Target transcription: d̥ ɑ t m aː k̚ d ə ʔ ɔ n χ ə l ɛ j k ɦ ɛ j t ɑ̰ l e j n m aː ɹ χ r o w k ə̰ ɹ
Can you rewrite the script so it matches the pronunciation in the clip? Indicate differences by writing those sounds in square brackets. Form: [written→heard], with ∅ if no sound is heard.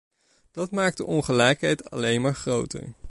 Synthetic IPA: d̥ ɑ t m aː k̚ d ə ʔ ɔ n χ ə l ɛ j k ɦ ɛ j t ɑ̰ l e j n m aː ɹ χ r o w [k→t] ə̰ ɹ